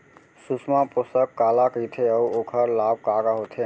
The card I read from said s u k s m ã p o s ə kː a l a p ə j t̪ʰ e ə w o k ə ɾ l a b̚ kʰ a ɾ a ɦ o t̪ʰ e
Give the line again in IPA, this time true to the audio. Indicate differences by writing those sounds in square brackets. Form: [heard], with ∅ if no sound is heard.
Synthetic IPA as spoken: s u [∅] s m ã p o s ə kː a l a [k] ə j t̪ʰ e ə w o [kʰ] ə ɾ l a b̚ [k] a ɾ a ɦ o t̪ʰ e

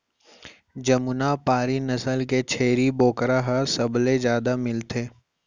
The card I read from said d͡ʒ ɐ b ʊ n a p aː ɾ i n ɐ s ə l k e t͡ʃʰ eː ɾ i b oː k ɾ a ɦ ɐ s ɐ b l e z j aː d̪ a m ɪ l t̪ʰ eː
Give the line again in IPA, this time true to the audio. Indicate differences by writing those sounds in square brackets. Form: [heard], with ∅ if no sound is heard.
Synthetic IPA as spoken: d͡ʒ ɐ [m] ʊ n a p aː ɾ i n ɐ s ə l k e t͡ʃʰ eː ɾ i b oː k ɾ a ɦ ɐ s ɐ b l e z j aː d̪ a m ɪ l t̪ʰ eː

